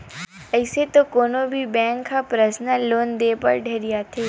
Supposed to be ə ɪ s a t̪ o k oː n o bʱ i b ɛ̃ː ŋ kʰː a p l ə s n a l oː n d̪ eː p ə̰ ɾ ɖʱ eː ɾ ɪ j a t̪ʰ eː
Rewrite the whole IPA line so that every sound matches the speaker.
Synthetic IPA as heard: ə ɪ s e t̪ o k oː n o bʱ i b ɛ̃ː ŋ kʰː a p ɾ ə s n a l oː n d̪ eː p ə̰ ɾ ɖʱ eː ɾ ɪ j a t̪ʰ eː